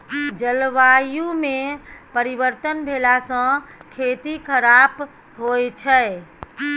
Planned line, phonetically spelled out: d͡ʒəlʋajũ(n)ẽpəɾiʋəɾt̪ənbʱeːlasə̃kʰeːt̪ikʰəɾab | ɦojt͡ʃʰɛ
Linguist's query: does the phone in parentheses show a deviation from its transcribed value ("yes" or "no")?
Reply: yes